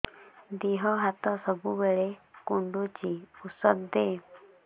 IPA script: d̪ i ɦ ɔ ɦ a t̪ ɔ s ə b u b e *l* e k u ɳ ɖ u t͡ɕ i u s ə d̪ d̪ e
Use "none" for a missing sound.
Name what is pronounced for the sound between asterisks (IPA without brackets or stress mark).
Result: ɭ